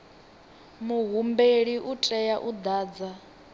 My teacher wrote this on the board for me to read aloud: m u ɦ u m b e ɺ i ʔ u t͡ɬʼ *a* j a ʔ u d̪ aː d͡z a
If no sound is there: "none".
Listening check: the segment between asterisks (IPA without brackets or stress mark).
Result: ɛ